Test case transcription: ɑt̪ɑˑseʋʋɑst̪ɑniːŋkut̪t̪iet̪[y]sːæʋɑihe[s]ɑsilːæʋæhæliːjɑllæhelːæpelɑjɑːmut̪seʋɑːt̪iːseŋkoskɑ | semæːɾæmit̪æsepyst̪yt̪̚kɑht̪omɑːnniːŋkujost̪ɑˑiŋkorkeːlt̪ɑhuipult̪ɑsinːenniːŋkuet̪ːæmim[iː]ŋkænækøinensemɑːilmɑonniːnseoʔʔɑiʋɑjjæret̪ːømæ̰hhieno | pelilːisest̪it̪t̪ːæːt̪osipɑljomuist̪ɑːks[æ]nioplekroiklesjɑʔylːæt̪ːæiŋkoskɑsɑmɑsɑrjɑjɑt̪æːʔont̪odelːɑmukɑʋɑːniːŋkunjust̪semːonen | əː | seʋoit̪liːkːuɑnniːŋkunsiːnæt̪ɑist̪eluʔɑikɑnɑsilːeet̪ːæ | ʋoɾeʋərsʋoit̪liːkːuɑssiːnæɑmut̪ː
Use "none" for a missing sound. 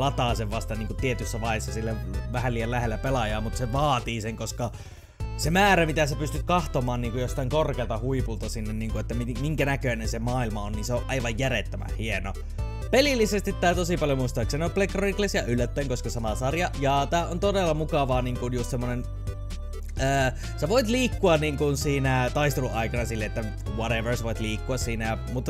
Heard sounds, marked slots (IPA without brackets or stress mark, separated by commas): y, sː, i, e